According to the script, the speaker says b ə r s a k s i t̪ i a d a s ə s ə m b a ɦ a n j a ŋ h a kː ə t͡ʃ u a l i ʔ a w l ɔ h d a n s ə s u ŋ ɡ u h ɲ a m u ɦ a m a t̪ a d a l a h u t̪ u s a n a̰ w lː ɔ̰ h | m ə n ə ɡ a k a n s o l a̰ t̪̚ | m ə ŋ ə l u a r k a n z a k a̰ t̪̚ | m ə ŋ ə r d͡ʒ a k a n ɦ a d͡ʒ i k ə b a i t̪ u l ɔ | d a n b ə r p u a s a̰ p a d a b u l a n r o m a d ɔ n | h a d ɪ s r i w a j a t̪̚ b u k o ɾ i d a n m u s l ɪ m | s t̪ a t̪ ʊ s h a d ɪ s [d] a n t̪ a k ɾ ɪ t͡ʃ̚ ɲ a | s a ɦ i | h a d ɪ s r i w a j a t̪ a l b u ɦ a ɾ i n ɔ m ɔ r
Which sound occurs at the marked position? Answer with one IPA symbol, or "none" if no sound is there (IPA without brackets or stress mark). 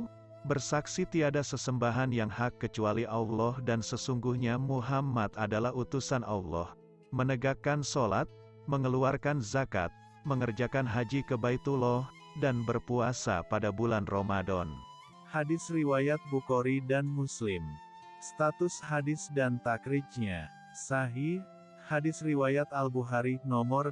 d